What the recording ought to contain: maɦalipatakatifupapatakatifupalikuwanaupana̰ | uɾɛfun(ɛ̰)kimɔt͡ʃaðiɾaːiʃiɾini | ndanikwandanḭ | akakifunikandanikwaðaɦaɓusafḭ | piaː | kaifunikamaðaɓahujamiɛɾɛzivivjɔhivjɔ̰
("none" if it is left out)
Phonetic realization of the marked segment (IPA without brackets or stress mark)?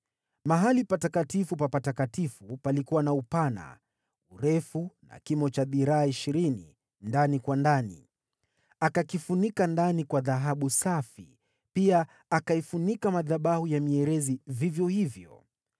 a̰